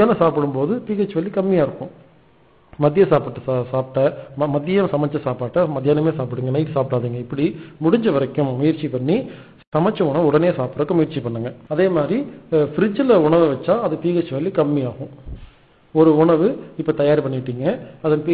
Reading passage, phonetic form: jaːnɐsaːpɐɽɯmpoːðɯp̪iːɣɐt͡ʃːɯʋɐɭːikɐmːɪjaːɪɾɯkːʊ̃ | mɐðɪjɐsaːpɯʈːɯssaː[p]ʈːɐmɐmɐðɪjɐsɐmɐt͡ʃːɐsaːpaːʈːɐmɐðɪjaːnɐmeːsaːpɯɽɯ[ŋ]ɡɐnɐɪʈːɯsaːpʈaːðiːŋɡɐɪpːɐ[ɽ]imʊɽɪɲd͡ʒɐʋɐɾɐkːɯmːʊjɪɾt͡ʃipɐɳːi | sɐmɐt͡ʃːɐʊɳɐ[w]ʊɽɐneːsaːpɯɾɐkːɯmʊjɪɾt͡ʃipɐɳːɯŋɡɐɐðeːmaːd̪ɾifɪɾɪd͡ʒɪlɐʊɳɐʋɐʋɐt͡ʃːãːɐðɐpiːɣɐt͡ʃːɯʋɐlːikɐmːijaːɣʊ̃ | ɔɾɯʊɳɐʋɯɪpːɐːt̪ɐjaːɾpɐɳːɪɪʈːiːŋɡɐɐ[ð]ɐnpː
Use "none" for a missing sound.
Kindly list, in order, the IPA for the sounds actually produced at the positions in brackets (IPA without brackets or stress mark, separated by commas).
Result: p, ŋ, ɽ, ʋ, ð